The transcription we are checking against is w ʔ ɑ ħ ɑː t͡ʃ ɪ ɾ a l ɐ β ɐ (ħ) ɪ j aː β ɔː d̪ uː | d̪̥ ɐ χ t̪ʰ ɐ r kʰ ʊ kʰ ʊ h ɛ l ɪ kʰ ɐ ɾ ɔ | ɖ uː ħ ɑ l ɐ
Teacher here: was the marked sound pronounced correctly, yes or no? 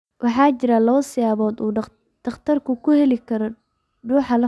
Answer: no